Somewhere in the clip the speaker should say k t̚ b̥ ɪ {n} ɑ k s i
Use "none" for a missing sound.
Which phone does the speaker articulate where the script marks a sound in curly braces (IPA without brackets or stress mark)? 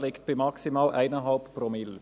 m